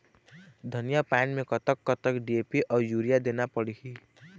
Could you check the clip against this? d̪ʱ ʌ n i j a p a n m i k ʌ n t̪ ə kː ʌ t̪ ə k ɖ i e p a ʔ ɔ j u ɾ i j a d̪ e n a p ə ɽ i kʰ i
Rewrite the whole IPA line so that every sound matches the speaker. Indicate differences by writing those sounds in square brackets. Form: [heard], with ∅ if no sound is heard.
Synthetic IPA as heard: d̪ʱ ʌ n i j a p a n m [e] k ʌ [∅] t̪ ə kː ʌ t̪ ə k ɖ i e p [i] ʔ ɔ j u ɾ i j a d̪ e n a p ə ɽ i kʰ i